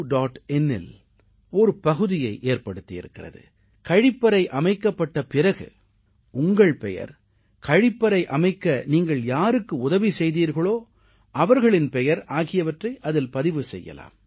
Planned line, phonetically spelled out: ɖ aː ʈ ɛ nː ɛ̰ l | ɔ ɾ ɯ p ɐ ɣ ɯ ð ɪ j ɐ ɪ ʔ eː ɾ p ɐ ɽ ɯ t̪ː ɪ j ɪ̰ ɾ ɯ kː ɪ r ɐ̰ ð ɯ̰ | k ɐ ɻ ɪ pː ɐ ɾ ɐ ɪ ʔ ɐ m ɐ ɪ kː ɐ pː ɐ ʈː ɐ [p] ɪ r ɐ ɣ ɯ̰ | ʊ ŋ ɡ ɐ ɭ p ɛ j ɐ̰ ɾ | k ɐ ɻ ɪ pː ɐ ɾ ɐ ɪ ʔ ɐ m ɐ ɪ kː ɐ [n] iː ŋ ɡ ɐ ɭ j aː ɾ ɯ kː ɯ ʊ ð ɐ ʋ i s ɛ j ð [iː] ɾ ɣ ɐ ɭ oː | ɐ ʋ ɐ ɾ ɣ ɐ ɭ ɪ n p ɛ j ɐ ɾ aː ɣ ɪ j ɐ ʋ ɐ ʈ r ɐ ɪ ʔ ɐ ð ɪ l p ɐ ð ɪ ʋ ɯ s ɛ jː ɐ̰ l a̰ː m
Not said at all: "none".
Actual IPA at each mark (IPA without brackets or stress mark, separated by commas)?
p, n, iː